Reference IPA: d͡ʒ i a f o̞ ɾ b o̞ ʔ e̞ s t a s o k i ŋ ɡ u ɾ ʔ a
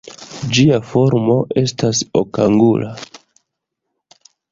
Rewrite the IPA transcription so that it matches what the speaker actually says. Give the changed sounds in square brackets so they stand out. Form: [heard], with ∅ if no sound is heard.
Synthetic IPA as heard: d͡ʒ i a f o̞ ɾ [m] o̞ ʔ e̞ s t a s o k [a] ŋ ɡ u [l] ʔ a